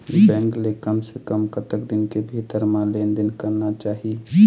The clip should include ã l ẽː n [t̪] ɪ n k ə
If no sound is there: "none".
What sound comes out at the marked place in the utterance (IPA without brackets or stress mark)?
d̪